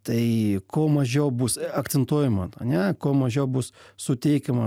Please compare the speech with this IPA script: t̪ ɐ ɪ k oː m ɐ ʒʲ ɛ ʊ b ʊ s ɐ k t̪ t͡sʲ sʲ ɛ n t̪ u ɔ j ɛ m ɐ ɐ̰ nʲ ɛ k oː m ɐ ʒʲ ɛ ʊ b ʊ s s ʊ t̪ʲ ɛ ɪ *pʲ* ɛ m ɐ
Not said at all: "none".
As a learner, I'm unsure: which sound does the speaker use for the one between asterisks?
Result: kʲ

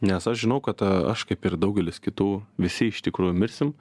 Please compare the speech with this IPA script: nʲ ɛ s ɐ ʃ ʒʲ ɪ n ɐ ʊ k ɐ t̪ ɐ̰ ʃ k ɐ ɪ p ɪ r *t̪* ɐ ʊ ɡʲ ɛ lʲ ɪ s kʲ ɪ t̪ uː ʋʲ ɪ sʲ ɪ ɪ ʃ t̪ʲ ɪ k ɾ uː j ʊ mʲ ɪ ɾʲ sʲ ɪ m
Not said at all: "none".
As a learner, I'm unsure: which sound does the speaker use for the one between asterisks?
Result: d̪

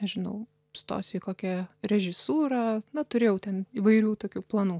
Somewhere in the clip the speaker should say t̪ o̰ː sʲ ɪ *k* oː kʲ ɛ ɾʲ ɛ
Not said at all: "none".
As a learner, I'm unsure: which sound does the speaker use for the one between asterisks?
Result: k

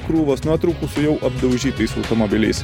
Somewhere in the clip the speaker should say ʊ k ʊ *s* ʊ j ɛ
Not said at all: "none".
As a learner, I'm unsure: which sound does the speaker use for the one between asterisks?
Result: s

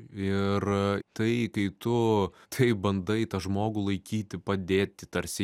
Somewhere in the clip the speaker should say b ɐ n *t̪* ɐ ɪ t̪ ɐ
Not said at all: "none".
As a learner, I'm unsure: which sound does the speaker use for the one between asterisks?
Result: d̪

